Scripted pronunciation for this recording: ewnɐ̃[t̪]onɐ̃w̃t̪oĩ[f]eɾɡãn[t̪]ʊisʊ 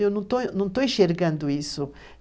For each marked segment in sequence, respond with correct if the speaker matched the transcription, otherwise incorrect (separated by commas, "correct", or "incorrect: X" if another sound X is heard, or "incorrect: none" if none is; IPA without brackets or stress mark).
correct, incorrect: ʃ, incorrect: d̪